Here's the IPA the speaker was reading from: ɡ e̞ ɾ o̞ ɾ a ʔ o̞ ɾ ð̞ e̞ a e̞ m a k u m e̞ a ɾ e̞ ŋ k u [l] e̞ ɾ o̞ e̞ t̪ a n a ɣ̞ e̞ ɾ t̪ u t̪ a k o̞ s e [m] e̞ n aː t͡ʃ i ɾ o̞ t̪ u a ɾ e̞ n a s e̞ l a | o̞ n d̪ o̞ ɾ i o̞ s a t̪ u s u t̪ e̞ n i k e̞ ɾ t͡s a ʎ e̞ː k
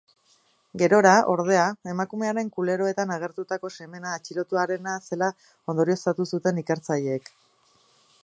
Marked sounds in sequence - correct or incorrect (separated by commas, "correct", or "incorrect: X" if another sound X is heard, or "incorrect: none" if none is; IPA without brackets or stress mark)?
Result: correct, correct